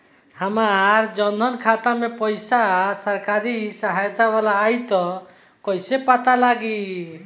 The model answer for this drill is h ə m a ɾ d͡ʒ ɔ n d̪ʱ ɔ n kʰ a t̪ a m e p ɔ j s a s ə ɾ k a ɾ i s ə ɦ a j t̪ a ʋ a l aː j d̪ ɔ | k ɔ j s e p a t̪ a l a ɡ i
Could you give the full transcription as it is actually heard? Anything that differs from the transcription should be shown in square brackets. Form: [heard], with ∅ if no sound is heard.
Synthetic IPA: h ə m a ɾ d͡ʒ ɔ n d̪ʱ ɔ n kʰ a t̪ a m e p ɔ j s a s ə ɾ k a ɾ i s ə ɦ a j t̪ a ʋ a l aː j [t̪] ɔ | k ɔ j s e p a t̪ a l a ɡ i